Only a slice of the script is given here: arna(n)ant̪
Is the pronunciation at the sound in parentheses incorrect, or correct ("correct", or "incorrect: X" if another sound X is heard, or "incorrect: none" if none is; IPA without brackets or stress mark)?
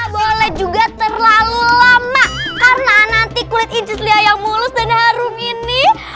correct